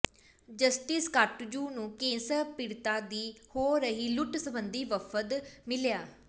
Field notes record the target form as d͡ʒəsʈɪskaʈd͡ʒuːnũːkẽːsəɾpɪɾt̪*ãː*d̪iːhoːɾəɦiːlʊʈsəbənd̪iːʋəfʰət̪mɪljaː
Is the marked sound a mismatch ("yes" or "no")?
yes